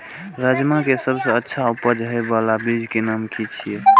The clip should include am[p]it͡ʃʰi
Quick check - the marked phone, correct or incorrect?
incorrect